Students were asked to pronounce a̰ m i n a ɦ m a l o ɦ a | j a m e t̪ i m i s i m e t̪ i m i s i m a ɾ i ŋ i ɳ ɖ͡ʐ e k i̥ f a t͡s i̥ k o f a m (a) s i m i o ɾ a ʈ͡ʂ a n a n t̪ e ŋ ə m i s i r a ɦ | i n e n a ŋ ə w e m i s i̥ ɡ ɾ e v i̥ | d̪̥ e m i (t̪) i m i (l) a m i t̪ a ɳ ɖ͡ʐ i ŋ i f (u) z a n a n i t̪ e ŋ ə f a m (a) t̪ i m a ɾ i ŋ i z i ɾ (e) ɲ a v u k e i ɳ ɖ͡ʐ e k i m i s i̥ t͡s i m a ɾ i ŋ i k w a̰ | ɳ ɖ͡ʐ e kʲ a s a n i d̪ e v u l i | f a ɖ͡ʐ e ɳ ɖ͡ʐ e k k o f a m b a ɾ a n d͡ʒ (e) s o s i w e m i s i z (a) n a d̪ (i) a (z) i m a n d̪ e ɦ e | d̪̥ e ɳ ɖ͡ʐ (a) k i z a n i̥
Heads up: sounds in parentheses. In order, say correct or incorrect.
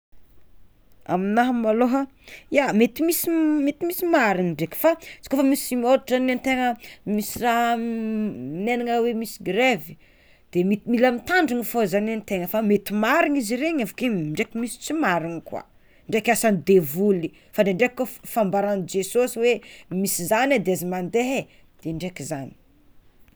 incorrect: i, correct, correct, incorrect: o, incorrect: e, correct, correct, correct, incorrect: e, correct, incorrect: e

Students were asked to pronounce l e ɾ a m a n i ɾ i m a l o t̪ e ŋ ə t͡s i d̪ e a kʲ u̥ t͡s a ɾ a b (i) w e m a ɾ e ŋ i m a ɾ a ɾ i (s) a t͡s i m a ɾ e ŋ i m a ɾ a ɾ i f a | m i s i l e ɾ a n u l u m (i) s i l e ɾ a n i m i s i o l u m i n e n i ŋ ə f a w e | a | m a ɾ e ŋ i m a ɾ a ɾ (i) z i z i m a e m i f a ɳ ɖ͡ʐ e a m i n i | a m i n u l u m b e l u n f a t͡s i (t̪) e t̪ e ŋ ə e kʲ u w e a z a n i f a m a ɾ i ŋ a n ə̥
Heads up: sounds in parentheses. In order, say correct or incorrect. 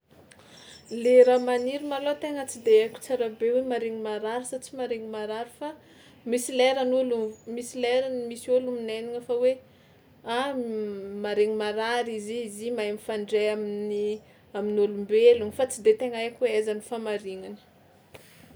incorrect: e, correct, correct, correct, incorrect: d̪

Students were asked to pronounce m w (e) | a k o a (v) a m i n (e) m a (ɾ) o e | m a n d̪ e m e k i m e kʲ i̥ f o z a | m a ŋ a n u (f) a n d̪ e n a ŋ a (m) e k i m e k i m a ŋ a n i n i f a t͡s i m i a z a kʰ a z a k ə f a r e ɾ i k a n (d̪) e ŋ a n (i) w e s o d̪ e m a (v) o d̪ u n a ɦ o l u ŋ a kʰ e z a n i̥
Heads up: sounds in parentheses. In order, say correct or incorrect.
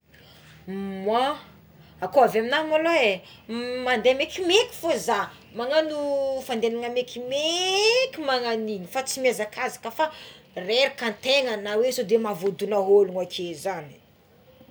incorrect: a, correct, incorrect: a, incorrect: l, correct, correct, incorrect: t̪, incorrect: a, correct

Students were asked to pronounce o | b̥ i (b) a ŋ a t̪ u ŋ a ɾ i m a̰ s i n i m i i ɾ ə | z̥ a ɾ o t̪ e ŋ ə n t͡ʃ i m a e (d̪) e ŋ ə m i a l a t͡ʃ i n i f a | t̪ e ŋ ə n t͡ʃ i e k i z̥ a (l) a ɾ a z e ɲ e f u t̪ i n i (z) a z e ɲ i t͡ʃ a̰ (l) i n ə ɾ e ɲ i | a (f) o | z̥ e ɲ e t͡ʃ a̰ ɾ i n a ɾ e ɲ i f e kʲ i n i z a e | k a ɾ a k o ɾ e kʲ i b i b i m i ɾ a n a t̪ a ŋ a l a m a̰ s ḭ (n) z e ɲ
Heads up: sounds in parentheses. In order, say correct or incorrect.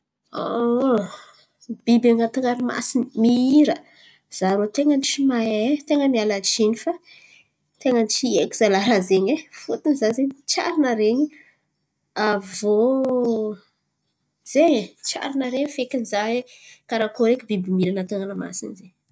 correct, incorrect: t̪, correct, correct, incorrect: ɾ, incorrect: v, correct

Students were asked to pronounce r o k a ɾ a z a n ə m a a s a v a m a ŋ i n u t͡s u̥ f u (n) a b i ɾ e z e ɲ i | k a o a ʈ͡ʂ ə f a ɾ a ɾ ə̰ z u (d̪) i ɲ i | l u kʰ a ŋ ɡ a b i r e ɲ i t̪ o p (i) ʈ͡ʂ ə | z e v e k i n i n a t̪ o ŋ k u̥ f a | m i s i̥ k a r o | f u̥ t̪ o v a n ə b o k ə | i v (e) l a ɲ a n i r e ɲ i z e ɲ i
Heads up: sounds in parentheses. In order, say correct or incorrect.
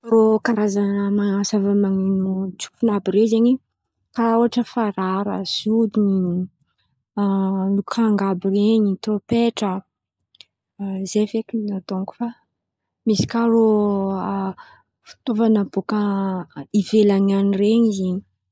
correct, correct, incorrect: e, correct

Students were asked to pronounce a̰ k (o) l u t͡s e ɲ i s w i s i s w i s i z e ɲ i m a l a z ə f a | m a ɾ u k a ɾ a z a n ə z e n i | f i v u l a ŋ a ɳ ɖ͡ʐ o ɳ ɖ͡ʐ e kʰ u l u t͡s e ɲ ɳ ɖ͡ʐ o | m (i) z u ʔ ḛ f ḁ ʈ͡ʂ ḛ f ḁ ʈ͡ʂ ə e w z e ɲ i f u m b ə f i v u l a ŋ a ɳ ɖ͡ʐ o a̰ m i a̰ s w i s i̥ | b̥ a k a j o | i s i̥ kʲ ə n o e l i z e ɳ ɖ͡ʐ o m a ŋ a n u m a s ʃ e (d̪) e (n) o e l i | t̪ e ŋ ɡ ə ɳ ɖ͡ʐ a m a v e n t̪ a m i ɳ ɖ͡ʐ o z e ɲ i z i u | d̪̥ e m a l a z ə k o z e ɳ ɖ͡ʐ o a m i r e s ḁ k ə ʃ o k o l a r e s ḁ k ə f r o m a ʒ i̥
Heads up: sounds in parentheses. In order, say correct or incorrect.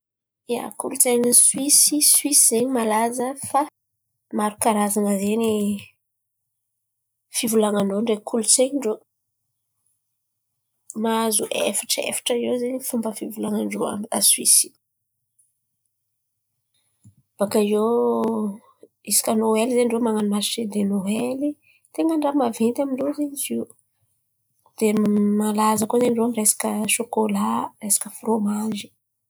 incorrect: u, incorrect: a, correct, correct

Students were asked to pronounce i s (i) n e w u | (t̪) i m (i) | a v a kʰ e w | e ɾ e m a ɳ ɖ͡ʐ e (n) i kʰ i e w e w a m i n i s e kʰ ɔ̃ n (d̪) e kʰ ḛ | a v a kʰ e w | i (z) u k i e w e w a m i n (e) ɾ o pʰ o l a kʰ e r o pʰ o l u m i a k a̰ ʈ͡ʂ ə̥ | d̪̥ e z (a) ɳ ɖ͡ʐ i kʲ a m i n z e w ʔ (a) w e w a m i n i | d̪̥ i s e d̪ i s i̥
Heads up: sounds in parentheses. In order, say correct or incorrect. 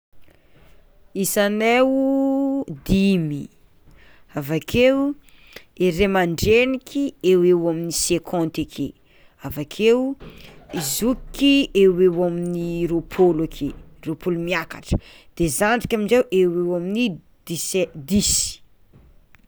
incorrect: a, incorrect: d̪, correct, correct, incorrect: t̪, correct, incorrect: i, correct, incorrect: e

